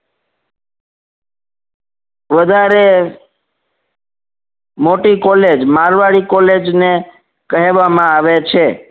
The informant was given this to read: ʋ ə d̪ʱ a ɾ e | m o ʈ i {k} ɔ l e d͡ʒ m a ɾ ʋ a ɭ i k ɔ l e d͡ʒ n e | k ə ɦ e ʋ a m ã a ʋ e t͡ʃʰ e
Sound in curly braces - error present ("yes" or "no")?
no